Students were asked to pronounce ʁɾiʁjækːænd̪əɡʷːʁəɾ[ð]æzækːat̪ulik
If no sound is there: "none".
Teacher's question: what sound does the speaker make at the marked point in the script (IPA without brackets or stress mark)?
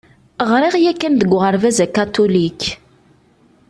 v